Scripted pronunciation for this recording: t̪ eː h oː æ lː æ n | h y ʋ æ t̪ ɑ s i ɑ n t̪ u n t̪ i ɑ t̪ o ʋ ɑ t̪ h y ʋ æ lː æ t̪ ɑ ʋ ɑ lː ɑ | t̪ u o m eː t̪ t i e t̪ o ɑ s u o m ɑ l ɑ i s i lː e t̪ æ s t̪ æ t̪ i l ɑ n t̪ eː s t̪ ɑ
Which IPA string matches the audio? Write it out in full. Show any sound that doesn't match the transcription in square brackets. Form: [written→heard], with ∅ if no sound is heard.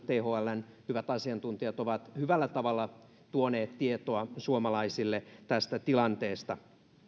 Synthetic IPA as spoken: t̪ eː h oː æ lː æ n | h y ʋ æ t̪ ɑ s i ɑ n t̪ u n t̪ i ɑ t̪ o ʋ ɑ t̪ h y ʋ æ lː æ t̪ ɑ ʋ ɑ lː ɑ | t̪ u o [m→n] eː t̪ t i e t̪ o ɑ s u o m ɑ l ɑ i s i lː e t̪ æ s t̪ æ t̪ i l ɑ n t̪ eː s t̪ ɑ